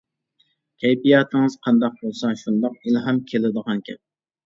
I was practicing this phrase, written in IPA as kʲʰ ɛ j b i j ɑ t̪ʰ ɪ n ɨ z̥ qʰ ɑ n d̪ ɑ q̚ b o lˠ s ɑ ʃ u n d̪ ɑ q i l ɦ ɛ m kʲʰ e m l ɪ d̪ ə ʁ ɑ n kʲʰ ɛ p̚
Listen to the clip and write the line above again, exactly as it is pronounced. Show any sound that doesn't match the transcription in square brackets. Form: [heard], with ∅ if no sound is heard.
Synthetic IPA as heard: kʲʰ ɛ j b i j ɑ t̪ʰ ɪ [ŋ] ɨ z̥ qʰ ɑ n d̪ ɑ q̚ b o lˠ s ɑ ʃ u n d̪ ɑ q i l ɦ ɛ m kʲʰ e [∅] l ɪ d̪ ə ʁ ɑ n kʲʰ ɛ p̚